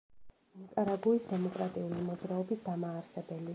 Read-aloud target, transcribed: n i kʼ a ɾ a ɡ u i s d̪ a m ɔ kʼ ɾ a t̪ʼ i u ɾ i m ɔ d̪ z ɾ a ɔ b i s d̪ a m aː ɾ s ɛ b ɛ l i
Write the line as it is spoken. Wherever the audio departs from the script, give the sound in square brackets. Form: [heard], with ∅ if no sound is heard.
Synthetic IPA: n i kʼ a ɾ a ɡ u i s d̪ [ɛ] m ɔ kʼ ɾ a t̪ʼ i u [l] i m ɔ d̪ z ɾ a ɔ b i s d̪ a m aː ɾ s ɛ b ɛ l i